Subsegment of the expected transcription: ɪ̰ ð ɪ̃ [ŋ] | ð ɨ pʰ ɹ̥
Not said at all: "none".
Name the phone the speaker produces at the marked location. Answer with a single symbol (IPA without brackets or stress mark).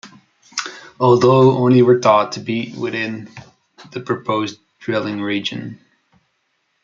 n